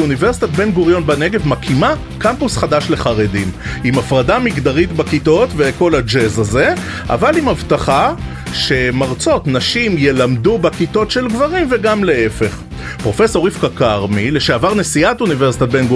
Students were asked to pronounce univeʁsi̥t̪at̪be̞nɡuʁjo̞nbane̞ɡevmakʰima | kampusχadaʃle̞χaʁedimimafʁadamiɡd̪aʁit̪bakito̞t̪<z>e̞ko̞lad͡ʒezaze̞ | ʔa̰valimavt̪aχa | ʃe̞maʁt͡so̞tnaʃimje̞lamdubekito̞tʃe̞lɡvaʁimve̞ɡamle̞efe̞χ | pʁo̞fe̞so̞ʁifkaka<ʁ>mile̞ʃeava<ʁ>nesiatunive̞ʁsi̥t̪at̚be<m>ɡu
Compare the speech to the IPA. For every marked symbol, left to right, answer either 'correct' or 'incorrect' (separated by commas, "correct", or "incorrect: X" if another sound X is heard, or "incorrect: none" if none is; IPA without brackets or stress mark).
incorrect: v, correct, correct, incorrect: n